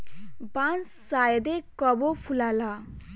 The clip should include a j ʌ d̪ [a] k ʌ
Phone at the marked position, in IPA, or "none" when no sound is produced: e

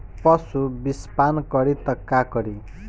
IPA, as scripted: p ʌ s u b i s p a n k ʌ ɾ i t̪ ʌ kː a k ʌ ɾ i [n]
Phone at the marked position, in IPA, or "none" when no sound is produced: none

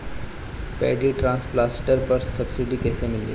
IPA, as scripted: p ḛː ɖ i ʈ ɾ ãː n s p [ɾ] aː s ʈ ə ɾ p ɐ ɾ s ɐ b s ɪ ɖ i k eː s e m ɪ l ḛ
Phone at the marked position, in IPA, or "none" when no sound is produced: l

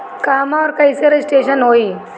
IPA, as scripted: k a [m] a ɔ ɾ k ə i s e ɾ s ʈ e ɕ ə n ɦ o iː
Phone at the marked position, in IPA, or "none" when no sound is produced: m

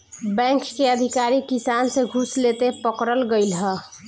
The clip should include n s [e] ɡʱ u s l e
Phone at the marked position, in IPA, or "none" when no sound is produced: e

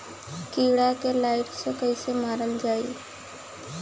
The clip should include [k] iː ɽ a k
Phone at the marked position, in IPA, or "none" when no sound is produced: k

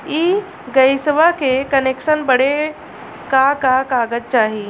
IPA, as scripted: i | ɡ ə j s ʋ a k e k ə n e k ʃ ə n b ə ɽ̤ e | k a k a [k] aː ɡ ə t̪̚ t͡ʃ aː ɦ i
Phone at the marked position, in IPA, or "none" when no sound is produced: k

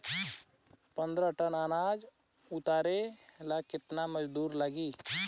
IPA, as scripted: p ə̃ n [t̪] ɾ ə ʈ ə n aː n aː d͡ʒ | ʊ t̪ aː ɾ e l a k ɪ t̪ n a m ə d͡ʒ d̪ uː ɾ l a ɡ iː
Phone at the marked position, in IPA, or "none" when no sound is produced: d̪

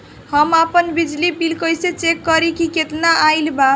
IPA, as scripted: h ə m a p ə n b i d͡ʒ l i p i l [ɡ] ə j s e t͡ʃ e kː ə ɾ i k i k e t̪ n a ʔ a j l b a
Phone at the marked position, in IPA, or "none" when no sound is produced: k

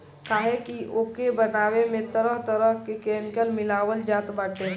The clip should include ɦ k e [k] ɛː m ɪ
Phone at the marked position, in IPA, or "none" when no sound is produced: k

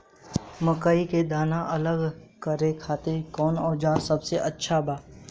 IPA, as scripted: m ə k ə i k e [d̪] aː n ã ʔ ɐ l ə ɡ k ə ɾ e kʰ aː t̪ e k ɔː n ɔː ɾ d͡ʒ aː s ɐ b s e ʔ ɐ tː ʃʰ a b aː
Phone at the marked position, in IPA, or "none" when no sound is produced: d̪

